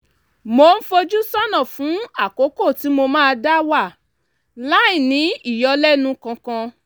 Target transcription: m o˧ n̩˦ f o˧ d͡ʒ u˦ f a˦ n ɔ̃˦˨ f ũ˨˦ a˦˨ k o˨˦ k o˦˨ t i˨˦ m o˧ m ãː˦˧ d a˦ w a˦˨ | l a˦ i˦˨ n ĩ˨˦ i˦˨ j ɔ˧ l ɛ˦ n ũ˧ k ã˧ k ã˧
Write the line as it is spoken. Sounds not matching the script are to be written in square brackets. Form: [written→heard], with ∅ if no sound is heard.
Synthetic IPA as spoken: m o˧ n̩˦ f o˧ d͡ʒ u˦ [f→s] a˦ n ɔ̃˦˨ f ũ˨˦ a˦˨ k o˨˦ k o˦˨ t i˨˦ m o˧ m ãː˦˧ d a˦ w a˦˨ | l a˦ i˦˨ n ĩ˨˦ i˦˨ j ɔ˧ l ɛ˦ n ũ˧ k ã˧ k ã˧